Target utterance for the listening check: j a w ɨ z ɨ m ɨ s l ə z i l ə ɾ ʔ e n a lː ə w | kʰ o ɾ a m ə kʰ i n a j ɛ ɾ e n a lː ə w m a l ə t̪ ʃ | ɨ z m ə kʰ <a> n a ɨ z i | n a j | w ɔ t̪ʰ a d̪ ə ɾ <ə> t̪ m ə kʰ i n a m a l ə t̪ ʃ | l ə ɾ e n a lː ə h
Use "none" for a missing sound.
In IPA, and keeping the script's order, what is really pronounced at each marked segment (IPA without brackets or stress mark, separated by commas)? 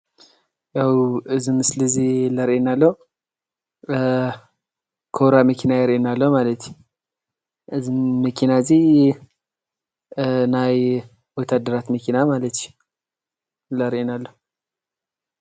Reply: i, a